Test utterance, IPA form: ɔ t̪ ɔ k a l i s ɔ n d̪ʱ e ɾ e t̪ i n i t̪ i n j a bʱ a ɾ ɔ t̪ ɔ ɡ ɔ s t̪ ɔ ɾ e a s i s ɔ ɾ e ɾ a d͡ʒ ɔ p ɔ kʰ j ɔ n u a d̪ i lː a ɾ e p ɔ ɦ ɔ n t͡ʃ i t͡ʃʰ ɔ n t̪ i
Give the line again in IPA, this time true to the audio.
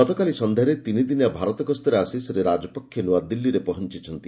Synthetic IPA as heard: ɔ t̪ ɔ k a l i s ɔ n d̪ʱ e ɾ e t̪ i n i d̪ i n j a bʱ a ɾ ɔ t̪ ɔ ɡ ɔ s t̪ ɔ ɾ e a s i s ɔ ɾ e ɾ a d͡ʒ ɔ p ɔ kʰ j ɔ n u a d̪ i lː i ɾ e p ɔ ɦ ɔ n t͡ʃ i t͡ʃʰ ɔ n t̪ i

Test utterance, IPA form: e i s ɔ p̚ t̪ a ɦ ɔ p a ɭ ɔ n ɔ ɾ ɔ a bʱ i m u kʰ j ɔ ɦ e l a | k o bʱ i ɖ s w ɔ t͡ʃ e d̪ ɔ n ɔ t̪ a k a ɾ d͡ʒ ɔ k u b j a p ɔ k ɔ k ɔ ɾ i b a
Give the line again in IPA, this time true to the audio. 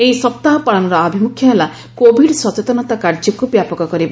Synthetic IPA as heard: e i s ɔ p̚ t̪ a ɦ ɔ p a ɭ ɔ n ɔ ɾ ɔ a bʱ i m u kʰ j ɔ ɦ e l a | k o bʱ i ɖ s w ɔ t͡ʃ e t̪ ɔ n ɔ t̪ a k a ɾ d͡ʒ ɔ k u b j a p ɔ k ɔ k ɔ ɾ i b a

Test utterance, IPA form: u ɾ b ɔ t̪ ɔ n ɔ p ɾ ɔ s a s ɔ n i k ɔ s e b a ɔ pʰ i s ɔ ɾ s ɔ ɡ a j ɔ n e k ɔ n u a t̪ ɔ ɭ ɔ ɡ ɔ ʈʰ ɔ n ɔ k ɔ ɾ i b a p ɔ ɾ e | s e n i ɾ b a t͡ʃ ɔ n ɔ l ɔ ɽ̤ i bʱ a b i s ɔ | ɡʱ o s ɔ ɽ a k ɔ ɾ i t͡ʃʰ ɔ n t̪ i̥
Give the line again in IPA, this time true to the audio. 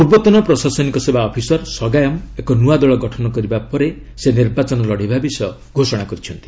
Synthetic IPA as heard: u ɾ b ɔ t̪ ɔ n ɔ p ɾ ɔ s a s ɔ n i k ɔ s e b a ɔ pʰ i s ɔ ɾ s ɔ ɡ a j ɔ m e k ɔ n u a d̪ ɔ ɭ ɔ ɡ ɔ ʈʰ ɔ n ɔ k ɔ ɾ i b a p ɔ ɾ e | s e n i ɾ b a t͡ʃ ɔ n ɔ l ɔ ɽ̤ i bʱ a b i s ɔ | ɡʱ o s ɔ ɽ a k ɔ ɾ i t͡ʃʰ ɔ n t̪ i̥

